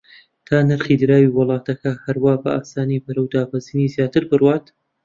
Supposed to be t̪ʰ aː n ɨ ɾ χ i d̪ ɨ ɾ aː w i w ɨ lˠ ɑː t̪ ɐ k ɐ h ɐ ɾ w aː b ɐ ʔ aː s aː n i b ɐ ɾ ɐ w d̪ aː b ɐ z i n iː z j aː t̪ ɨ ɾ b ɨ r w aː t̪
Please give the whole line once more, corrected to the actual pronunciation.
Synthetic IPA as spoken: t̪ʰ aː n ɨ ɾ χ i d̪ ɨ ɾ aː w i w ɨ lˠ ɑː t̪ ɐ k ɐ h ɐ ɾ w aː b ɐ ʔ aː s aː n i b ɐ ɾ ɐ w d̪ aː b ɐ z i n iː z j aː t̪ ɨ ɾ b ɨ r w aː t̪